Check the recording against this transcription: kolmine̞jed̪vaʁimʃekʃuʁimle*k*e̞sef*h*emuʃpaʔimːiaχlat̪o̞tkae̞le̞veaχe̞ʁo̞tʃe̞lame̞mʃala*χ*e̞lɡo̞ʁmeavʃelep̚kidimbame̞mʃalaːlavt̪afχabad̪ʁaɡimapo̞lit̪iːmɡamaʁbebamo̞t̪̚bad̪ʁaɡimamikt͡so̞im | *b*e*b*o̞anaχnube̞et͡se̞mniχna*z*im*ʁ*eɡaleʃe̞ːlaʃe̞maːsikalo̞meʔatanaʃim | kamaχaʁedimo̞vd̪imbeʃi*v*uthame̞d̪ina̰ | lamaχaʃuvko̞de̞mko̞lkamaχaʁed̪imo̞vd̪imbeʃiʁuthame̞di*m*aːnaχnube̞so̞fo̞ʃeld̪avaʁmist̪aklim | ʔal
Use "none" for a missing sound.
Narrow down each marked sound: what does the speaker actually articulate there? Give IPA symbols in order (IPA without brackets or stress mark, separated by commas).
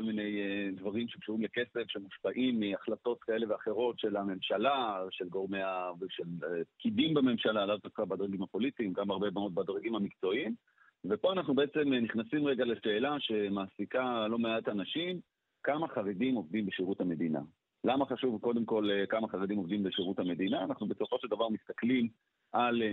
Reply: k, ʃ, ʃ, v, p, s, ʁ, ʁ, n